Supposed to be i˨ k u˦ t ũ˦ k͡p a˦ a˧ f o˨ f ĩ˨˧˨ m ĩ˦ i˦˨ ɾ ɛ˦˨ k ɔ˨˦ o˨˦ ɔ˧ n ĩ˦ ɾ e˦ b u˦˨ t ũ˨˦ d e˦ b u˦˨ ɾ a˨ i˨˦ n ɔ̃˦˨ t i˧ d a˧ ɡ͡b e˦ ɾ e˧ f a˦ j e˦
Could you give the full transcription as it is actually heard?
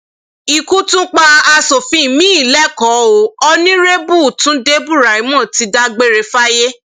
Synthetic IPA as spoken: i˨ k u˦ t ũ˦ k͡p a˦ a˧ s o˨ f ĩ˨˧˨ m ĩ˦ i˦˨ l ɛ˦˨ k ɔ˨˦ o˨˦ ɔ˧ n ĩ˦ ɾ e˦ b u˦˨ t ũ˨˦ d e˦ b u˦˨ ɾ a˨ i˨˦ m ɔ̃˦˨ t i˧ d a˧ ɡ͡b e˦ ɾ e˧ f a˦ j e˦